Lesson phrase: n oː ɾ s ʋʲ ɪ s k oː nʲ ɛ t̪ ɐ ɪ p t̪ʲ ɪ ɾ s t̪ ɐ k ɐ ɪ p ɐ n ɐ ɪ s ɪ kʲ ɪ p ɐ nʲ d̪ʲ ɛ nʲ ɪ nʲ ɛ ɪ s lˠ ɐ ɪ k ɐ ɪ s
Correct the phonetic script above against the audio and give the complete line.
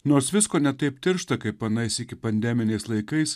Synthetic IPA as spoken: n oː ɾ s ʋʲ ɪ s k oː nʲ ɛ t̪ ɐ ɪ p t̪ʲ ɪ ɾ ʃ t̪ ɐ k ɐ ɪ p ɐ n ɐ ɪ s ɪ kʲ ɪ p ɐ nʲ d̪ʲ ɛ mʲ ɪ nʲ ɛ ɪ s lˠ ɐ ɪ k ɐ ɪ s